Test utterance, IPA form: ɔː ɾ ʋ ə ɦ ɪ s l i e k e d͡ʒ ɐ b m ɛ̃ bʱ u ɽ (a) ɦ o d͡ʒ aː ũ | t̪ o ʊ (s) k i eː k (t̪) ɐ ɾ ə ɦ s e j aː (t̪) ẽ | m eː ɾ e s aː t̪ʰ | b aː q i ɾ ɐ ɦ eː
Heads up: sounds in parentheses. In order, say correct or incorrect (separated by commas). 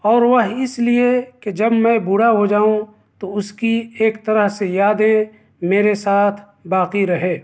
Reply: correct, correct, correct, incorrect